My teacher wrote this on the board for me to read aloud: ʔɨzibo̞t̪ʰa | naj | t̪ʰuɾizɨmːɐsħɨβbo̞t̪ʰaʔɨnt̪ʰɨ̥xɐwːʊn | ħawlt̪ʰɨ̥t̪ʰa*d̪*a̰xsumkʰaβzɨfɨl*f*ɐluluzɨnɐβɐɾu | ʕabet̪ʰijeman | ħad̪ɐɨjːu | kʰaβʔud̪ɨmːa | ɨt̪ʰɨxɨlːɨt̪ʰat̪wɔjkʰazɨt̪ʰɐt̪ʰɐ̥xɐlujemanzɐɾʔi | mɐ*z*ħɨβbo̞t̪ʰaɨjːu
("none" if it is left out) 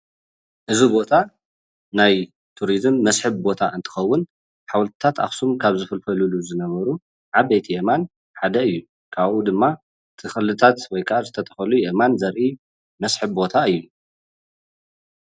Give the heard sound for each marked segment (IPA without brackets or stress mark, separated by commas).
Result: t̪, f, s